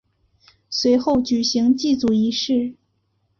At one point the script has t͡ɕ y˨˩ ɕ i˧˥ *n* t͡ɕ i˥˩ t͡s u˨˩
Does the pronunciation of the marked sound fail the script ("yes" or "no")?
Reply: yes